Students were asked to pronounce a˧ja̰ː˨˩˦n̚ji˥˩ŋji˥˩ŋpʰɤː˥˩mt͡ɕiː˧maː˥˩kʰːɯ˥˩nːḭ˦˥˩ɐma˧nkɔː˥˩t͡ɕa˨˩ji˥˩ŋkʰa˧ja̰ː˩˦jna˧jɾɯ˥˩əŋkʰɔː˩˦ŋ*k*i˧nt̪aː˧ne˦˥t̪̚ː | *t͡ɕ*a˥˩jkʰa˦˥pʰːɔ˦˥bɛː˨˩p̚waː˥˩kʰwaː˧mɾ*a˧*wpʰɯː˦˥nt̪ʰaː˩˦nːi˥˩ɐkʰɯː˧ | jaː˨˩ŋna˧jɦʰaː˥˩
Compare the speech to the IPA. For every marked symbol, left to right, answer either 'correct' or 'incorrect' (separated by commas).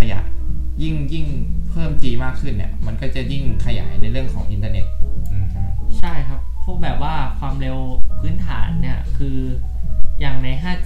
incorrect, incorrect, incorrect